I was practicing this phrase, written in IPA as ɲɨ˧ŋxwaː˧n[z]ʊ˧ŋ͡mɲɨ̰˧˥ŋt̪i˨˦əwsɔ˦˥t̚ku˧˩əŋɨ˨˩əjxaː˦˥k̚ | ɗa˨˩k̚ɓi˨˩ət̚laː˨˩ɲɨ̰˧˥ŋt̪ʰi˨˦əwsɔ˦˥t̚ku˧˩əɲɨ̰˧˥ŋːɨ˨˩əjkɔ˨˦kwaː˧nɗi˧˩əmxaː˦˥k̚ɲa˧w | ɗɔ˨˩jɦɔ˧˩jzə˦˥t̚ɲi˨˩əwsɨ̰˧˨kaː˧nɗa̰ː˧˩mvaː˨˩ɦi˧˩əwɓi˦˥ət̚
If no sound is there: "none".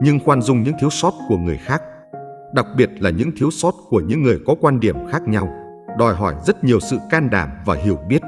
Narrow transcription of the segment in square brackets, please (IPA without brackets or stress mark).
z